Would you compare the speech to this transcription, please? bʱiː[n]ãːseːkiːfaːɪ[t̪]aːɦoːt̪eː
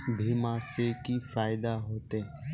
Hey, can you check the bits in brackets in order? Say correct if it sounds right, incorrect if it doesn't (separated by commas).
incorrect, incorrect